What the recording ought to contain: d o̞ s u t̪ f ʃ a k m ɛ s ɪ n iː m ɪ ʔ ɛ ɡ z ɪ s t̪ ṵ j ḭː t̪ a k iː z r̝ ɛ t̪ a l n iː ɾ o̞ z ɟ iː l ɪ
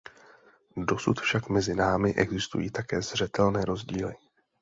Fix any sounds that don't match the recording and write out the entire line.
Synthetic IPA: d o̞ s u t̪ f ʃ a k m ɛ z ɪ n aː m ɪ ʔ ɛ ɡ z ɪ s t̪ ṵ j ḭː t̪ a k ɛː z r̝ ɛ t̪ ɛ l n ɛː ɾ o̞ z ɟ iː l ɪ